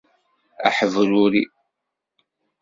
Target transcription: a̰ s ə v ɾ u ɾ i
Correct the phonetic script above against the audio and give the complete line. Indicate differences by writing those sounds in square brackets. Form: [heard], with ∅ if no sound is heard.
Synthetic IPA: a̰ [ħ] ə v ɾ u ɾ i